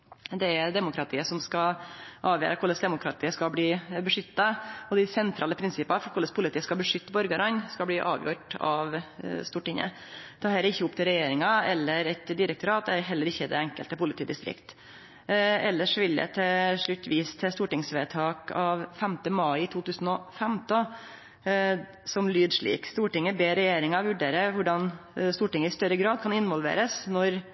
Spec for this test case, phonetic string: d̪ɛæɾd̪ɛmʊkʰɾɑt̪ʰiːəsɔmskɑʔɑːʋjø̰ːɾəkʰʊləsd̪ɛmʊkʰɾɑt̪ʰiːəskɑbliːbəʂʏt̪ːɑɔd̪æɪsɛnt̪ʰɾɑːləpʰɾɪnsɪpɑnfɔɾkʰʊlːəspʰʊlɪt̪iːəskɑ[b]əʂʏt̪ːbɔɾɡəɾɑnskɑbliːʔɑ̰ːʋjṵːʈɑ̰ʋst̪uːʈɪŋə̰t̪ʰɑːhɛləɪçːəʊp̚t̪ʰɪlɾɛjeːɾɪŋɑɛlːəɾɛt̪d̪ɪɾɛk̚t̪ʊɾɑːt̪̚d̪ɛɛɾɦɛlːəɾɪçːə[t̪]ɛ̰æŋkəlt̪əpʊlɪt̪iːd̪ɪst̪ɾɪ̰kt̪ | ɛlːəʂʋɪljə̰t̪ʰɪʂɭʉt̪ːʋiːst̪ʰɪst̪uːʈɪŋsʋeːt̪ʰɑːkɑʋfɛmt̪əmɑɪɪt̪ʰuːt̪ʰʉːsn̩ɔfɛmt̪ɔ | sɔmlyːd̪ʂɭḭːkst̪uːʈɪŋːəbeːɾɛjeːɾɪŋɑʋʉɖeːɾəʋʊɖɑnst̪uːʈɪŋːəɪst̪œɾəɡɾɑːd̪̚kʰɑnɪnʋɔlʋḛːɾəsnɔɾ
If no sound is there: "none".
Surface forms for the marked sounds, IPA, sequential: b, d̪

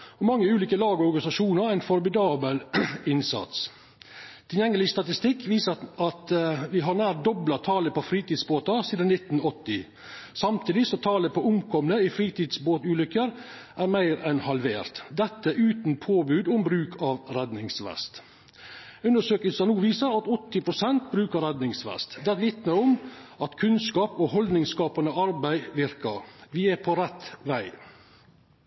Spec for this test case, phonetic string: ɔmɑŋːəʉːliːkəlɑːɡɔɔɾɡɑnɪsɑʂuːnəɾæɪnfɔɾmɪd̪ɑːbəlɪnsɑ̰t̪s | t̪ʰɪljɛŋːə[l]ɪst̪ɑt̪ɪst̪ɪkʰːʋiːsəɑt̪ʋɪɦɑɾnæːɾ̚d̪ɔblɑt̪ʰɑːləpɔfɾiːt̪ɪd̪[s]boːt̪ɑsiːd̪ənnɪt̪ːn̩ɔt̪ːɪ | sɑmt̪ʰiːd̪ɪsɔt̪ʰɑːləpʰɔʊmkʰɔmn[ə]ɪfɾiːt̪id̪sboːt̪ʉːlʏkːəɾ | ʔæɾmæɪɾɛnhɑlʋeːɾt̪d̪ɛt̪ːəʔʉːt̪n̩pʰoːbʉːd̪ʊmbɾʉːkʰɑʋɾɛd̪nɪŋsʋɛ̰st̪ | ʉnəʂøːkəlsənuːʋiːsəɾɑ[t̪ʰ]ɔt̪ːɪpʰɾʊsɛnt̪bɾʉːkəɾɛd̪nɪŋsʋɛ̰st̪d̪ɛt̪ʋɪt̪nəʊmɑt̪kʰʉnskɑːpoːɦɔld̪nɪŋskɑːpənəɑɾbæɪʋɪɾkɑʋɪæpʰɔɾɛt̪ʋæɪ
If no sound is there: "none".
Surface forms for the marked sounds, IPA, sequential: l, s, ə, t̪

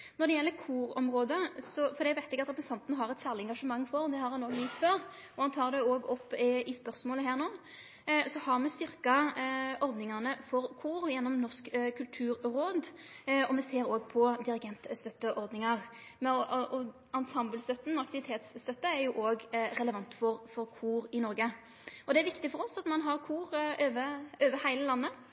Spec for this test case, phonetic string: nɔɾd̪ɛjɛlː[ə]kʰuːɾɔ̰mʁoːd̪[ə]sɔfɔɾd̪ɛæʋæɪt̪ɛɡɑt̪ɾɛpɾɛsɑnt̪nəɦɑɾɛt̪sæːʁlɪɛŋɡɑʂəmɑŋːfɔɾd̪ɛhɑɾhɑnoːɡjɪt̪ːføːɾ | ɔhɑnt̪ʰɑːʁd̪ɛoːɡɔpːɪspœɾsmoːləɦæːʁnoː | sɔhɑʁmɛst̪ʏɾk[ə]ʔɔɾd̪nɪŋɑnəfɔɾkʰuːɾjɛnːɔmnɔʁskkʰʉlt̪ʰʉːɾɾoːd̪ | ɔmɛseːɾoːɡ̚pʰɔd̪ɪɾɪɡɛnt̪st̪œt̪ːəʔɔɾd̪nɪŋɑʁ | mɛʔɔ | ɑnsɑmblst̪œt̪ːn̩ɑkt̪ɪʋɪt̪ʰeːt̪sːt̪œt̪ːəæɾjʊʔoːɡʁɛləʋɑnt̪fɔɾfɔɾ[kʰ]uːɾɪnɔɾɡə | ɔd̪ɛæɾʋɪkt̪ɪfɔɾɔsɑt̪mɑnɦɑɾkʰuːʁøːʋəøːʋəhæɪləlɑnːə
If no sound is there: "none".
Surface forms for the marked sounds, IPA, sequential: ə, ə, ɑ, kʰ

